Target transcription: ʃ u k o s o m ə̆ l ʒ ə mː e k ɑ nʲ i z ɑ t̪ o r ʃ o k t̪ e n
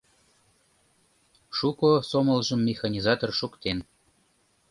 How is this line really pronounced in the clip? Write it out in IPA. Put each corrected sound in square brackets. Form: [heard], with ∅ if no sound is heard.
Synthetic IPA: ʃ u k o s o m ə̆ l ʒ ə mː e [x] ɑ nʲ i z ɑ t̪ o r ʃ [u] k t̪ e n